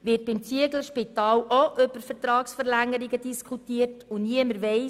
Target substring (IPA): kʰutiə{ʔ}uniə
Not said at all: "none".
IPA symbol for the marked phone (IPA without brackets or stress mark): t